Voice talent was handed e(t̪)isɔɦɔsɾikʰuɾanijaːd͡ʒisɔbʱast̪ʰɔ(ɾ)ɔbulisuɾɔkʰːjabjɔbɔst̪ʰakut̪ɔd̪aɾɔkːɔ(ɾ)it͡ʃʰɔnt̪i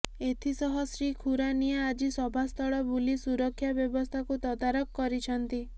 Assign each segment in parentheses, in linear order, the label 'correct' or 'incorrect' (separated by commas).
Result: incorrect, incorrect, correct